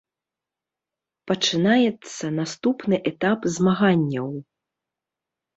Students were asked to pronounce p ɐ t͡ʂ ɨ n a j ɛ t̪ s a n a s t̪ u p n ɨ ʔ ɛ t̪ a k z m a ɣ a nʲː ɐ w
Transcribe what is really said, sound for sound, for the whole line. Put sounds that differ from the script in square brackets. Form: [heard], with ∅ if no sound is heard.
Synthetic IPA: p ɐ t͡ʂ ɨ n a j ɛ t̪ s [ɐ] n a s t̪ u p n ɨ ʔ ɛ t̪ a [p] z m a ɣ a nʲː ɐ w